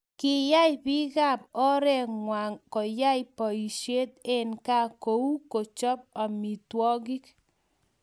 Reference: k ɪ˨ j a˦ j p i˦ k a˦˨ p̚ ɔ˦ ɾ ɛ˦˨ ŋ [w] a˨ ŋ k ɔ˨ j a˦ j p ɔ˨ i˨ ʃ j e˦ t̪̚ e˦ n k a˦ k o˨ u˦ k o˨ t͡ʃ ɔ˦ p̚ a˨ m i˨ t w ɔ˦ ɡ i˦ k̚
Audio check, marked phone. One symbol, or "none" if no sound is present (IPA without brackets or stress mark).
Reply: w